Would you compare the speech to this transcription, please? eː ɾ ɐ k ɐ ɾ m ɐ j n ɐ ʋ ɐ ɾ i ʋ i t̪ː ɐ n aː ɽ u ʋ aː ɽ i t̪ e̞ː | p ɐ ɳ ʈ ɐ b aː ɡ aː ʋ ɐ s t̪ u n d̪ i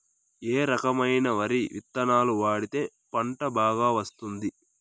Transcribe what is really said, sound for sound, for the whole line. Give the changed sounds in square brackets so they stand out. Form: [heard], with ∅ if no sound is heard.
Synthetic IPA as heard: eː ɾ ɐ k ɐ [∅] m ɐ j n ɐ ʋ ɐ ɾ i ʋ i t̪ː ɐ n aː [l] u ʋ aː ɽ i t̪ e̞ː | p ɐ ɳ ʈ ɐ b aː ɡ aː ʋ ɐ s t̪ u n d̪ i